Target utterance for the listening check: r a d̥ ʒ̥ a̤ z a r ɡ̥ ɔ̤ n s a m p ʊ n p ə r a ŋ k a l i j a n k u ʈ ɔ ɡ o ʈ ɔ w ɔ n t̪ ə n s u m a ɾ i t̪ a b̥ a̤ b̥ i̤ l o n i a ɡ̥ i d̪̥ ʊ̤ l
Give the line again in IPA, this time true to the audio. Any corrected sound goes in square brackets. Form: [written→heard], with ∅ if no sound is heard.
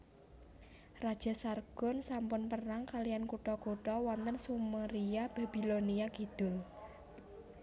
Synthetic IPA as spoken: r a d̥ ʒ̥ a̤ [z→s] a r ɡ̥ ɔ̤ n s a m p ʊ n p ə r a ŋ k a l i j a n k u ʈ ɔ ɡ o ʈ ɔ w ɔ n t̪ ə n s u m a ɾ i [t̪→∅] a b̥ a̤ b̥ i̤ l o n i a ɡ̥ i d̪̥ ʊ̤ l